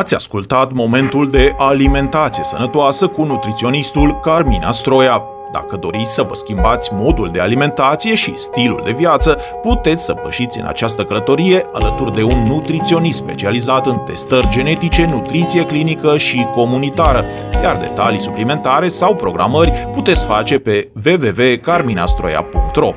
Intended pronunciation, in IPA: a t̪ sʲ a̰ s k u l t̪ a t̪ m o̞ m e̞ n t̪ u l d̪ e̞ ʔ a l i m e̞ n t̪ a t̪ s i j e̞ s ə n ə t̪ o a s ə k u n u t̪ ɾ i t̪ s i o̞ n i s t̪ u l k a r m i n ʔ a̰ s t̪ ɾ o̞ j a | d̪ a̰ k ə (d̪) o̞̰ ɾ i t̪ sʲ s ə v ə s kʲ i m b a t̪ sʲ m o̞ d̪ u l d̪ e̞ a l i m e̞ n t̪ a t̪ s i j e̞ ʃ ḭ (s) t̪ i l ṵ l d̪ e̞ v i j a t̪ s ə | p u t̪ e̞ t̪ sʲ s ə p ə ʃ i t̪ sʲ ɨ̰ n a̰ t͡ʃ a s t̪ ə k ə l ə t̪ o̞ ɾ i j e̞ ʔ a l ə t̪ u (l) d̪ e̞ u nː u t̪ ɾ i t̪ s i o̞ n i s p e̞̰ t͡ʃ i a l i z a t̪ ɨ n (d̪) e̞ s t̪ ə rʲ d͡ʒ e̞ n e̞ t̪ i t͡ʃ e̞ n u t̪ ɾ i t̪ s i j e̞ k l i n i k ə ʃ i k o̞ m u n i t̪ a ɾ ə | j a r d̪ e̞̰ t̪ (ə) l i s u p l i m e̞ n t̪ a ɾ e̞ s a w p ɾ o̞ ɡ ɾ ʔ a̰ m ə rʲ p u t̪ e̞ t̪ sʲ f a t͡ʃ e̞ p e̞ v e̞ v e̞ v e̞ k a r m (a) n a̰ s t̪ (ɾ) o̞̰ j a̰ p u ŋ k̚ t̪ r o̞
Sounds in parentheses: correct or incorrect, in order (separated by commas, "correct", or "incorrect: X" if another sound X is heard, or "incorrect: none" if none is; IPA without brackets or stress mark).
correct, correct, incorrect: r, incorrect: t̪, incorrect: a, incorrect: i, correct